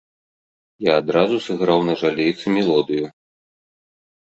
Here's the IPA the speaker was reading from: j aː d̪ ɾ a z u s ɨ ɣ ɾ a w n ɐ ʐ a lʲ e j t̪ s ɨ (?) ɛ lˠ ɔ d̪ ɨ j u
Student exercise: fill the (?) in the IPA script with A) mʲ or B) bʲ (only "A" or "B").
A